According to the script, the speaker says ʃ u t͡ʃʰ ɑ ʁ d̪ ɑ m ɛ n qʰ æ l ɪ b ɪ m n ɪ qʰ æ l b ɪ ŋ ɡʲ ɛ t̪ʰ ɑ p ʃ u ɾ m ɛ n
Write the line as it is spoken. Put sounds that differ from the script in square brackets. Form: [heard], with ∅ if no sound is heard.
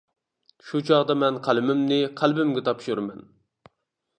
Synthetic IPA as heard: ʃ u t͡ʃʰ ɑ ʁ d̪ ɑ m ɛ n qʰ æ l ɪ [m] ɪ m n ɪ qʰ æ l b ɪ [m] ɡʲ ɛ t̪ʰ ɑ p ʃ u ɾ m ɛ n

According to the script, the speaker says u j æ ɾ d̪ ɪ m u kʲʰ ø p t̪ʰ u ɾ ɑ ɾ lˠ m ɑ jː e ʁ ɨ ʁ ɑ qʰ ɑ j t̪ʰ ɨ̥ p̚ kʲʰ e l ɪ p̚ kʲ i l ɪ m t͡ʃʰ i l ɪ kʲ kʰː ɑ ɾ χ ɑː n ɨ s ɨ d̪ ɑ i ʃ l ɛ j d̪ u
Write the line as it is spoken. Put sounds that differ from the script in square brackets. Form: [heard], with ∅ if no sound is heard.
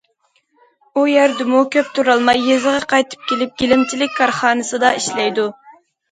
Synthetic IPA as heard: u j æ ɾ d̪ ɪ m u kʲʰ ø p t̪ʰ u ɾ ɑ [∅] lˠ m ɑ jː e [z] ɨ ʁ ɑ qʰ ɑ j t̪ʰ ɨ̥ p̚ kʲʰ e l ɪ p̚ [ɡʲ] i l ɪ m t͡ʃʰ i l ɪ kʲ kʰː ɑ ɾ χ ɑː n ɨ s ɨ d̪ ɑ i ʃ l ɛ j d̪ u

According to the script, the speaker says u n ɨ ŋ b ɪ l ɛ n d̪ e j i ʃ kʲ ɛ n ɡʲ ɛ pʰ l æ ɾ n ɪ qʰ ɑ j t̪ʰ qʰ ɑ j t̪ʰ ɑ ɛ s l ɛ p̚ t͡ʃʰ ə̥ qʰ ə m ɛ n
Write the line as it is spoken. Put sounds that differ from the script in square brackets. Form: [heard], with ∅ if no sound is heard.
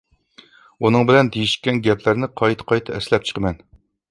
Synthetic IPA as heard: u n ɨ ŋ b ɪ l ɛ n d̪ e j i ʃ kʲ ɛ n ɡʲ ɛ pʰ l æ ɾ n ɪ qʰ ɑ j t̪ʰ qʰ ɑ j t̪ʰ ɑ ɛ s l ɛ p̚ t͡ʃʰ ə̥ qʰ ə m ɛ n

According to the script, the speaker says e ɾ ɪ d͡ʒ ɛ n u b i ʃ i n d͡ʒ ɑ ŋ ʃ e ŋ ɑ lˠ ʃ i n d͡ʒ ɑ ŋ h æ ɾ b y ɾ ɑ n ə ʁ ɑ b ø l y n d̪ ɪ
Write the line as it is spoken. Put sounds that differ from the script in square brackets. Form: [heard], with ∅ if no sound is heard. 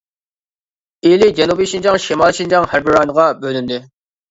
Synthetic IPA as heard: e [l] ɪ d͡ʒ ɛ n u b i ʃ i n d͡ʒ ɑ ŋ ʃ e [m] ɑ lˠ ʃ i n d͡ʒ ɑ ŋ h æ ɾ b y ɾ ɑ n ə ʁ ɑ b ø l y n d̪ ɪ

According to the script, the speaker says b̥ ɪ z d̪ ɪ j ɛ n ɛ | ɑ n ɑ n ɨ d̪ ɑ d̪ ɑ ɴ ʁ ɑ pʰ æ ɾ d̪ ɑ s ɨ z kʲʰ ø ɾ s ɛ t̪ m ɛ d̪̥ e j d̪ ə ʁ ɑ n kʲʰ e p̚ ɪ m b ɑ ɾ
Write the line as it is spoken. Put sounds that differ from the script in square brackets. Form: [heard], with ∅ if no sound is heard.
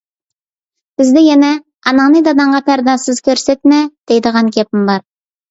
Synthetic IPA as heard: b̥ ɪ z d̪ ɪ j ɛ n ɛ | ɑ n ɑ n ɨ d̪ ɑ d̪ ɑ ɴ ʁ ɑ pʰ æ ɾ d̪ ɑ s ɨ z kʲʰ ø ɾ s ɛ t̪ m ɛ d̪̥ e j d̪ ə ʁ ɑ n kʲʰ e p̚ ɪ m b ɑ ɾ

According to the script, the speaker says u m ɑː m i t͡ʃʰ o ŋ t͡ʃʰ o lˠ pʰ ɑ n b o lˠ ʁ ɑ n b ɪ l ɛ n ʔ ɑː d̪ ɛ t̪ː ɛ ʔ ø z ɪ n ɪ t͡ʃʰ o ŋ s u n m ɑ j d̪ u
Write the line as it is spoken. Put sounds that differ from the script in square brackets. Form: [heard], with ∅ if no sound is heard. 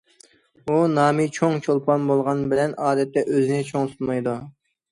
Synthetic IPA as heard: u [n] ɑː m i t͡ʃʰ o ŋ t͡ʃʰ o lˠ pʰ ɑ n b o lˠ ʁ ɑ n b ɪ l ɛ n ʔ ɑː d̪ ɛ t̪ː ɛ ʔ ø z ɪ n ɪ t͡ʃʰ o ŋ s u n m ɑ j d̪ u

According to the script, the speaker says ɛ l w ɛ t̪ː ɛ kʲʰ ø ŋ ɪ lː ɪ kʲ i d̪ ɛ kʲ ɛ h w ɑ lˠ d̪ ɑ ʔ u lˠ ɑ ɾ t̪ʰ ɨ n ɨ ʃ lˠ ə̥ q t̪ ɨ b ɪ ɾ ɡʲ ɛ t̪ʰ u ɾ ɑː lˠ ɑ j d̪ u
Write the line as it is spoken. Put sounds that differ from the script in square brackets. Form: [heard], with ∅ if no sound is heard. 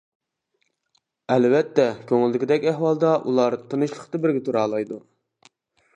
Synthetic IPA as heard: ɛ l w ɛ t̪ː ɛ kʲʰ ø ŋ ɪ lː ɪ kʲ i d̪ ɛ kʲ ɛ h w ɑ lˠ d̪ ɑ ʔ u lˠ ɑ ɾ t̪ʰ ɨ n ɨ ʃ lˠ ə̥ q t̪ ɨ b ɪ ɾ ɡʲ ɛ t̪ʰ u ɾ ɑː lˠ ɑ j d̪ u

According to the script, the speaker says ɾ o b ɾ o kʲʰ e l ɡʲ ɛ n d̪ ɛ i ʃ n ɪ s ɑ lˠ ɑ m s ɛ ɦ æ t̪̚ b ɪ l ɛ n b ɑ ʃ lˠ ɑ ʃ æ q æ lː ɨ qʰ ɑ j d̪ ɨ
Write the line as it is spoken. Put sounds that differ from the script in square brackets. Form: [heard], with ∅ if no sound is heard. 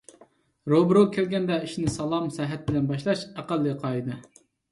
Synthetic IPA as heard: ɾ o b ɾ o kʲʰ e l ɡʲ ɛ n d̪ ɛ i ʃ n ɪ s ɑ lˠ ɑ m s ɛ ɦ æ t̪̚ b ɪ l ɛ n b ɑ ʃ lˠ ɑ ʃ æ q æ lː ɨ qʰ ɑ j d̪ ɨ

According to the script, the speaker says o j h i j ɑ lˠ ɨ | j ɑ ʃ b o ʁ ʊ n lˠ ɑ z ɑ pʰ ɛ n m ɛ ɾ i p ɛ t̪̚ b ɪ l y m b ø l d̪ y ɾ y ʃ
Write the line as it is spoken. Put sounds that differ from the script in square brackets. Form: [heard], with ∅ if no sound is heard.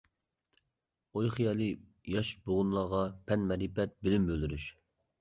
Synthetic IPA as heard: o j [χ] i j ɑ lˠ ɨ | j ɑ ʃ b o ʁ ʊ n lˠ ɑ [ʁ] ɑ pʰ ɛ n m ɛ ɾ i p ɛ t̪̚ b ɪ l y m b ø l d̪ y ɾ y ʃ

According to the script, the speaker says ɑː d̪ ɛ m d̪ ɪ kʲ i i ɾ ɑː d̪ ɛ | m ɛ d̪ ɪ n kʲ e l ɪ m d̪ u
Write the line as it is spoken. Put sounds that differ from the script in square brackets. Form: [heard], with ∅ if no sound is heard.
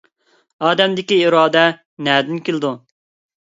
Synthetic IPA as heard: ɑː d̪ ɛ m d̪ ɪ kʲ i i ɾ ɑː d̪ ɛ | [n] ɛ d̪ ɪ n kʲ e l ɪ [∅] d̪ u

